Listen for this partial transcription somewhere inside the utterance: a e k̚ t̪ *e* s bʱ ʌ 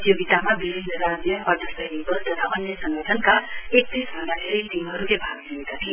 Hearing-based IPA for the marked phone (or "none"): i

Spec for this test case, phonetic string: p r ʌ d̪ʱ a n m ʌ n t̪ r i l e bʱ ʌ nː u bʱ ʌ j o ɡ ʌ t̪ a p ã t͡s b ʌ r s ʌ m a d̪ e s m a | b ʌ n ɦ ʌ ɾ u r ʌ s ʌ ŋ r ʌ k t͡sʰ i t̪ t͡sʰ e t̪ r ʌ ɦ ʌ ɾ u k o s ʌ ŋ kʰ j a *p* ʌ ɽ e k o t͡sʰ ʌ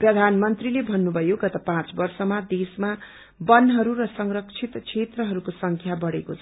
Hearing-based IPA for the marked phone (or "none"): b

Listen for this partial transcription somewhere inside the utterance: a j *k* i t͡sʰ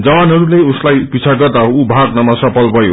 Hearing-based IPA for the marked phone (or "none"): p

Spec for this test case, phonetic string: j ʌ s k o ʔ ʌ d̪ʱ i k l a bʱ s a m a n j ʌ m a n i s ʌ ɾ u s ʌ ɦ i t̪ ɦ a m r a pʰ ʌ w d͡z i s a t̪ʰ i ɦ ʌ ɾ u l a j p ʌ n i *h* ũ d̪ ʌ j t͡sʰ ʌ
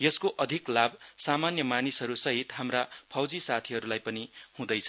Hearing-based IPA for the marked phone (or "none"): h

